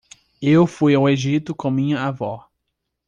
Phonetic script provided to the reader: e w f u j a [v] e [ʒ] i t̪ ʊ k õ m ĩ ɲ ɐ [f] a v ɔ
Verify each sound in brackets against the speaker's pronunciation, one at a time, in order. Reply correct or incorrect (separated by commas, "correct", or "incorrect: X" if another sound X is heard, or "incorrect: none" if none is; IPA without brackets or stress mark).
incorrect: w, correct, incorrect: none